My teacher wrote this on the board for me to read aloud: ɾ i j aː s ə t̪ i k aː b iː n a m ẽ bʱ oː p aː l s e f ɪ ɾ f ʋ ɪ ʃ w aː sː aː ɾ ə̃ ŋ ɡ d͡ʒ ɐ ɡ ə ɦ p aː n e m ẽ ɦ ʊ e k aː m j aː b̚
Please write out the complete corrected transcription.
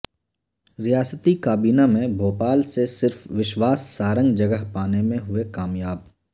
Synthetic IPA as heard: ɾ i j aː s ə t̪ i k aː b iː n a m ẽ bʱ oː p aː l s e s ɪ ɾ f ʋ ɪ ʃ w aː sː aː ɾ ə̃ ŋ ɡ d͡ʒ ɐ ɡ ə ɦ p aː n e m ẽ ɦ ʊ e k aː m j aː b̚